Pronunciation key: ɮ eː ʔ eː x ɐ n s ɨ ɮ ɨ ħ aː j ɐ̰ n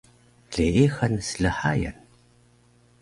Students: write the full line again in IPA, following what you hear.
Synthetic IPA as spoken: ɮ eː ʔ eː x ɐ n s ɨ ɮ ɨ ħ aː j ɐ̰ n